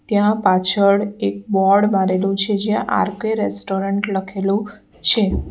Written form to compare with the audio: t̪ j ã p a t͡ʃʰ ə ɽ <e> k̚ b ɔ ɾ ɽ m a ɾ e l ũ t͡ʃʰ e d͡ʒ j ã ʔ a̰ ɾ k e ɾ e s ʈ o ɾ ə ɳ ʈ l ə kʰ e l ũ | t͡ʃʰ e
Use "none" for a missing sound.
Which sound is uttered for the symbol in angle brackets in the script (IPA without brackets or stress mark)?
e